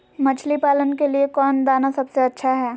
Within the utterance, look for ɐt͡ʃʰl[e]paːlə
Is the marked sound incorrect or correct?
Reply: incorrect